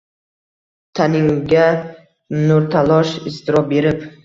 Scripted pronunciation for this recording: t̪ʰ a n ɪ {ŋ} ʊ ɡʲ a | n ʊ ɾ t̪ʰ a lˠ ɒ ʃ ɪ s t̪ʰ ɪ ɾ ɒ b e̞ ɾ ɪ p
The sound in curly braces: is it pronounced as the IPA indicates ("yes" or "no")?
yes